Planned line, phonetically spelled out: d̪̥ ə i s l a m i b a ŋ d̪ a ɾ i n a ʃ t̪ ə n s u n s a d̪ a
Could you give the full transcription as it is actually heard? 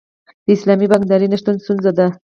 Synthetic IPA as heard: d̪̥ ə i s l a m i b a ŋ d̪ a ɾ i n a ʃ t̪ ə n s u n z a d̪ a